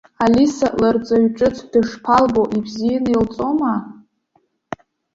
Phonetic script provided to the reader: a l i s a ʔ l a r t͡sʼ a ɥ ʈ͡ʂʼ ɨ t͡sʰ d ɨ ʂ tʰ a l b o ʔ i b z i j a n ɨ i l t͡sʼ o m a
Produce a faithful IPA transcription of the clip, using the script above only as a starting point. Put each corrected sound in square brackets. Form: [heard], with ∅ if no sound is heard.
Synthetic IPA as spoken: a l i s a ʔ l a r t͡sʼ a ɥ ʈ͡ʂʼ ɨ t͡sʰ d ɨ ʂ [pʰ] a l b o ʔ i b z i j a n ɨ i l t͡sʼ o m a